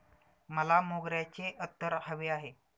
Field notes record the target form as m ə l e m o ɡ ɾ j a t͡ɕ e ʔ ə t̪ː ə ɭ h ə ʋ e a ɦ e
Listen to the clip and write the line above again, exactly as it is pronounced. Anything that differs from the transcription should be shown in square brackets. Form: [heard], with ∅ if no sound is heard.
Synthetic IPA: m ə l [a] m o ɡ ɾ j a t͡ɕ e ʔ ə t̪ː ə [ɾ] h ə ʋ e a ɦ e